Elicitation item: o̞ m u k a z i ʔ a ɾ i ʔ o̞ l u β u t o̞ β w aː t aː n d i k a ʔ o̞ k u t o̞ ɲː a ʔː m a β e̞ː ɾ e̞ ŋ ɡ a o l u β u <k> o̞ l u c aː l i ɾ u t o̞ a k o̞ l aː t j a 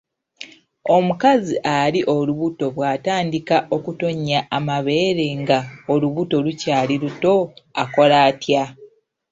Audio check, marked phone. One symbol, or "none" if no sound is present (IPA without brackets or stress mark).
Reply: t